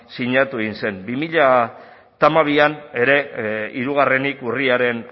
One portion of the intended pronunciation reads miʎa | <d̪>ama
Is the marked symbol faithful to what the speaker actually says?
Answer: no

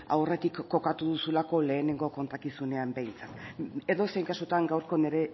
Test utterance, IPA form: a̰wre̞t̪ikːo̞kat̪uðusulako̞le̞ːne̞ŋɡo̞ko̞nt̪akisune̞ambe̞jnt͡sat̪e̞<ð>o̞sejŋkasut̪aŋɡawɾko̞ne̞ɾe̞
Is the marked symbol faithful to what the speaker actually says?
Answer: yes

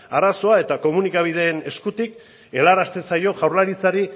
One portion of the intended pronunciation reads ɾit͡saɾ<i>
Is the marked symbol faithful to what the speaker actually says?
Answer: yes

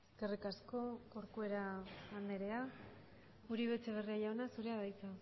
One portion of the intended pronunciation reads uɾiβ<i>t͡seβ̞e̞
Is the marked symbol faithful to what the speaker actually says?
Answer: no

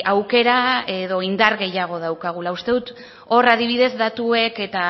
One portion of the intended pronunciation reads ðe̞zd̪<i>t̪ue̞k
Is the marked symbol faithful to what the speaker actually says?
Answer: no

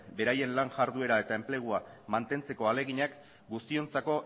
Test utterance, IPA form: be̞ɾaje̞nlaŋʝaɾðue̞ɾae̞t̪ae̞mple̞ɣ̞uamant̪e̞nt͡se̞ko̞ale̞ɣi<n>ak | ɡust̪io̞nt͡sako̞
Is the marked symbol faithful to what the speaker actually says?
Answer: no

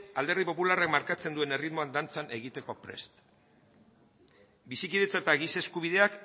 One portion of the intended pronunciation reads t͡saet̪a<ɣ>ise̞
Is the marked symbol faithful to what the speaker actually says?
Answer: yes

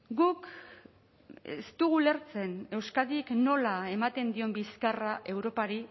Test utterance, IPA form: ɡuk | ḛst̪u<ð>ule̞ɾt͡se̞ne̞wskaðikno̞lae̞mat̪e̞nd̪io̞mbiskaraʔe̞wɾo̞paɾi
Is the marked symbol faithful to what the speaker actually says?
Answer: no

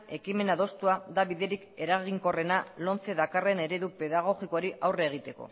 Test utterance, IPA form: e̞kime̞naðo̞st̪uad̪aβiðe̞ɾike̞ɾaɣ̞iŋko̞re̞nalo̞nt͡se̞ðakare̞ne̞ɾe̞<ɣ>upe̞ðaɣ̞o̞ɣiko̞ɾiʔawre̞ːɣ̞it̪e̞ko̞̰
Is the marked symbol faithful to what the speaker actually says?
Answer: no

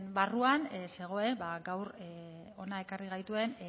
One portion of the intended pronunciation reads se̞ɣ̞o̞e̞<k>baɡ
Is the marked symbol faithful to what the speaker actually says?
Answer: no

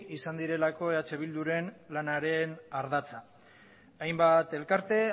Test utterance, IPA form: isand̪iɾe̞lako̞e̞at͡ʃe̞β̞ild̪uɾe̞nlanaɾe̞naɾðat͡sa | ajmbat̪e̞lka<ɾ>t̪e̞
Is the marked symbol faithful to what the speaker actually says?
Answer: yes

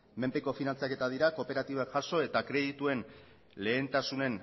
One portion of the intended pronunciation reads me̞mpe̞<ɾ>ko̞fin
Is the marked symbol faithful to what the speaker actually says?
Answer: no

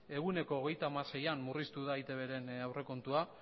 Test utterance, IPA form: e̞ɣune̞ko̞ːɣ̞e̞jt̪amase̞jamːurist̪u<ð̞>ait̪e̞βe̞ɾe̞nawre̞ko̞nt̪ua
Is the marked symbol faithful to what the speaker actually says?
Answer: yes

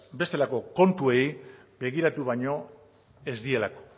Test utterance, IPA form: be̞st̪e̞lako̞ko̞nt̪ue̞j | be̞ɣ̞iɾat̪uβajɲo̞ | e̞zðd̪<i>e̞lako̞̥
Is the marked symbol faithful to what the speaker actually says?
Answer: yes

